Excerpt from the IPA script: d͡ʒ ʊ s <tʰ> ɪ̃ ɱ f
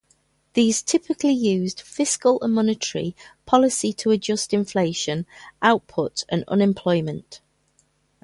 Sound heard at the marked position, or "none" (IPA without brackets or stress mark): t